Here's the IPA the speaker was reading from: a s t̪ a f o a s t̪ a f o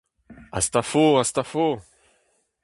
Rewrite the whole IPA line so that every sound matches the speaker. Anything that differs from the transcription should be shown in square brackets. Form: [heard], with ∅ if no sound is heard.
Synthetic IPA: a s t̪ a f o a s t̪ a f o